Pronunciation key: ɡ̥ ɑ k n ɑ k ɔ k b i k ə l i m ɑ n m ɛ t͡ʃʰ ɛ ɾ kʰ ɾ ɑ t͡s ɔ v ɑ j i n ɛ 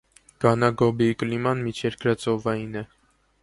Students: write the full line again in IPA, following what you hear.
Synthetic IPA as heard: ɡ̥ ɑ n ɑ ɡ ɔ b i k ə l i m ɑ n m i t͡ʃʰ ɛ ɾ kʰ ɾ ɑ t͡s ɔ v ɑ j i n ɛ